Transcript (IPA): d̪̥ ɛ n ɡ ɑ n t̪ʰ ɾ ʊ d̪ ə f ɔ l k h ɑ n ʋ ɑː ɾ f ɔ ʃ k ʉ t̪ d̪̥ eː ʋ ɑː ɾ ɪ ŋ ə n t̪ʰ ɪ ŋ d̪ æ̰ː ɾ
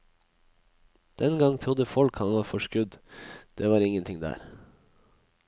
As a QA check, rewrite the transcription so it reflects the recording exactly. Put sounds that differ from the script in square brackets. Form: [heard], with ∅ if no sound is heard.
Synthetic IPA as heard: d̪̥ ɛ n ɡ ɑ [ŋ] t̪ʰ ɾ ʊ d̪ ə f ɔ l k h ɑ n ʋ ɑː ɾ f ɔ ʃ k ʉ [d̪] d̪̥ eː ʋ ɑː ɾ ɪ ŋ ə n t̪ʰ ɪ ŋ d̪ æ̰ː ɾ